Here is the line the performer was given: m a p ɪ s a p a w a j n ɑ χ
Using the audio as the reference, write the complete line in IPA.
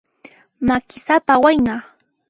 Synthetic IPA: m a k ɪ s a p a w a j n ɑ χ